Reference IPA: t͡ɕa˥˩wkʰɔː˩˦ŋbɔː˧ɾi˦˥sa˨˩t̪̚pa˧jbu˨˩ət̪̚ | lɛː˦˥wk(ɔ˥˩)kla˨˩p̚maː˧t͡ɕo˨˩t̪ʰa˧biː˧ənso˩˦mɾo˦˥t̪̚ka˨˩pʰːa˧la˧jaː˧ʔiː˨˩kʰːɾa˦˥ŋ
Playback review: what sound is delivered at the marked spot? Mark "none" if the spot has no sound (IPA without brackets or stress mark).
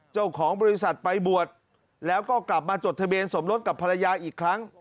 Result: ɔː˥˩